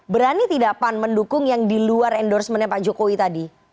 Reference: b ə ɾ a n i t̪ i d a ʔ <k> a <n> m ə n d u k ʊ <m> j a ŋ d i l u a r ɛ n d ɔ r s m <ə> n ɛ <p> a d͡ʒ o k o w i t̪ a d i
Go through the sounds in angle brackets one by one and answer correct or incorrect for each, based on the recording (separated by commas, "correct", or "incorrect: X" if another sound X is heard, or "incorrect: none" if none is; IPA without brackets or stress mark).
incorrect: p, correct, incorrect: ŋ, correct, correct